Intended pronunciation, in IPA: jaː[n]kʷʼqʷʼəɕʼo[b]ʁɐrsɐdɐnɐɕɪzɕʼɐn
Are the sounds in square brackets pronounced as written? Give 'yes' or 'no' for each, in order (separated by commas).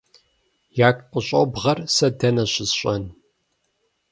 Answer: no, yes